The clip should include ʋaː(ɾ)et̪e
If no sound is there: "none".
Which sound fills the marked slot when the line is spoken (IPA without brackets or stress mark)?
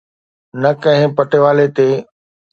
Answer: l